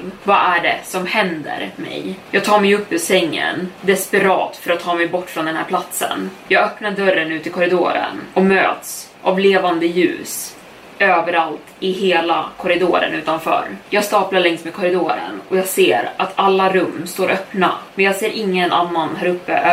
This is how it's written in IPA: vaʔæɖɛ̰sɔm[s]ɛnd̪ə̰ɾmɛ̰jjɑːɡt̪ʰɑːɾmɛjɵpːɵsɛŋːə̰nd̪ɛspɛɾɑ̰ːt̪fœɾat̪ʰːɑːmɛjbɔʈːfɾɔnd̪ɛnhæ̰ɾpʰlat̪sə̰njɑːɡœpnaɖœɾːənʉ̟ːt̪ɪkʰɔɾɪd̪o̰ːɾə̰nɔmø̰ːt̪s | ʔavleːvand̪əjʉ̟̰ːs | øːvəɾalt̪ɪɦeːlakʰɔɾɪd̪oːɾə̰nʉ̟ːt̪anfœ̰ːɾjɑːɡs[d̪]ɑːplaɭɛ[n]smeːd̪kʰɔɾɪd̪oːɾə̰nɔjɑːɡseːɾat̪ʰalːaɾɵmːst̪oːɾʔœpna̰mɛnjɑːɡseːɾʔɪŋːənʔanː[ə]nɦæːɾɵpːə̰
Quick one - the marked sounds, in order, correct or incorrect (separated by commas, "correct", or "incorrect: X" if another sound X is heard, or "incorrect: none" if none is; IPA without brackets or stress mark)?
incorrect: h, incorrect: t̪, incorrect: ŋ, incorrect: a